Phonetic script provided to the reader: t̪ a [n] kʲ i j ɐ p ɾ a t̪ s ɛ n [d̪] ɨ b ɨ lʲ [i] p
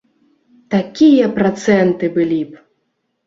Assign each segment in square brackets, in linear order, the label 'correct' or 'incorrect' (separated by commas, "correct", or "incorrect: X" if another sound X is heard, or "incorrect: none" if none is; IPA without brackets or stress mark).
incorrect: none, incorrect: t̪, correct